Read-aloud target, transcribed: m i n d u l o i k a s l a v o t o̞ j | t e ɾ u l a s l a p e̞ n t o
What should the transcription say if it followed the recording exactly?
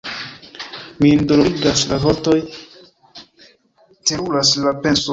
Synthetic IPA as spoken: m i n d o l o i ɡ a s l a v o t o̞ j | t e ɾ u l a s l a p e̞ n s o